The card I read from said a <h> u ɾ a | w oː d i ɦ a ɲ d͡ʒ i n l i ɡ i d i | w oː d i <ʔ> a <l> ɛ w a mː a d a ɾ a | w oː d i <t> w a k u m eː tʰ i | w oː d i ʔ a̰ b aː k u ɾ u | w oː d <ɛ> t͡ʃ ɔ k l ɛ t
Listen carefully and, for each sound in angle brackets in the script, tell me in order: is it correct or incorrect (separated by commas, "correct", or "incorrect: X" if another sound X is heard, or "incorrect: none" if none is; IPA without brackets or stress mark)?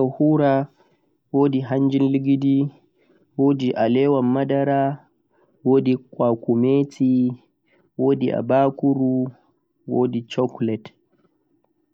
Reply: correct, correct, correct, incorrect: k, incorrect: i